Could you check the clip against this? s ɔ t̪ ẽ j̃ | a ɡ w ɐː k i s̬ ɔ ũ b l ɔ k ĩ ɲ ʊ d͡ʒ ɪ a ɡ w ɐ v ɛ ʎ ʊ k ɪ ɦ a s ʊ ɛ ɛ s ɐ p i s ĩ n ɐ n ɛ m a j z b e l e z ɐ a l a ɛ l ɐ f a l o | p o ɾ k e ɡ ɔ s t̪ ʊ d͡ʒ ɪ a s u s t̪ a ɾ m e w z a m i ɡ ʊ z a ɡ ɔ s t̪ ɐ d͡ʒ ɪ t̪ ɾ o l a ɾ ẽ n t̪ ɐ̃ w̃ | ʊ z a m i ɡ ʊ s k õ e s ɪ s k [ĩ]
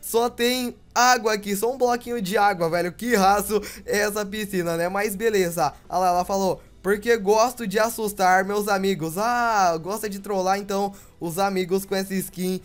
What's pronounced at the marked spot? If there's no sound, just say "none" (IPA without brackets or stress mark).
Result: ĩ